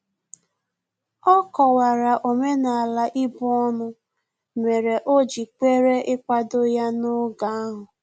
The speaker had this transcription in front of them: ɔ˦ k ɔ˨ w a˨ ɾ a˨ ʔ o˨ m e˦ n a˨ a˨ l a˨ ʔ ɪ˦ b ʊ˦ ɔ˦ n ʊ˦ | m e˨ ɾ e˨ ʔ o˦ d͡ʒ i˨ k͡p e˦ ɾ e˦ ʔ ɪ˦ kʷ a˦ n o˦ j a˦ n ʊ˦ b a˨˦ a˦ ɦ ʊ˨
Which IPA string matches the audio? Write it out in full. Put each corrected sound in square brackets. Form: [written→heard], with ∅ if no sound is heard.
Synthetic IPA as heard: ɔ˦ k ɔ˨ w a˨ ɾ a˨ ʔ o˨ m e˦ n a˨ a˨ l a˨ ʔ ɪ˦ b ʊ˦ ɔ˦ n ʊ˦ | m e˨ ɾ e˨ ʔ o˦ d͡ʒ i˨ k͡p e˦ ɾ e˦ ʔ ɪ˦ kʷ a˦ [n→d] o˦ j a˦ n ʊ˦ [b→ɡ] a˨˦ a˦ ɦ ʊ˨